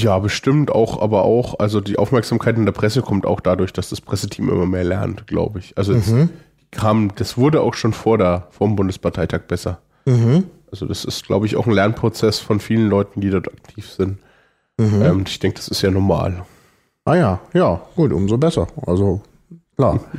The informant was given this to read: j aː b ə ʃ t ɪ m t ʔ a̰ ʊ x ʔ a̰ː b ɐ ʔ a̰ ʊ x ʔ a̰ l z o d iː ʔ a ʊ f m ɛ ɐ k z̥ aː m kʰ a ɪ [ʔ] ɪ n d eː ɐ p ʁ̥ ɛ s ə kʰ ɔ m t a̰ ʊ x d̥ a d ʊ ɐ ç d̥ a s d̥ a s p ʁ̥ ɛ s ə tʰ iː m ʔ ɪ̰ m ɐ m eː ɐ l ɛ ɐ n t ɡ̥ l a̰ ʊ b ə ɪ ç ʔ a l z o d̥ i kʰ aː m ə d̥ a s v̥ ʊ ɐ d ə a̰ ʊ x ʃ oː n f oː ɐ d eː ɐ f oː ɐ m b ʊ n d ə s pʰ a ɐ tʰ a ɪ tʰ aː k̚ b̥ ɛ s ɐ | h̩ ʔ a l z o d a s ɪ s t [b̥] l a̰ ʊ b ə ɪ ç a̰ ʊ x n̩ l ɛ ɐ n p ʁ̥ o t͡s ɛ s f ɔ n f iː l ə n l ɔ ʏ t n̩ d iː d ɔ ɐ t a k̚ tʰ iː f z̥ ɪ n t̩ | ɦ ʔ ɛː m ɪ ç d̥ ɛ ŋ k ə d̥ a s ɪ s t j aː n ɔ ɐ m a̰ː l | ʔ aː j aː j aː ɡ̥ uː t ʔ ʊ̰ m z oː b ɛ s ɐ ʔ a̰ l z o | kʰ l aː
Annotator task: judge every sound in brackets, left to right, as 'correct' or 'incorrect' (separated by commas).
incorrect, incorrect